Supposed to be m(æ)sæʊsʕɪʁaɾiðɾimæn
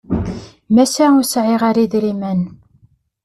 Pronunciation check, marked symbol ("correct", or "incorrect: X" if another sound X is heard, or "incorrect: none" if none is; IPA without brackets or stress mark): correct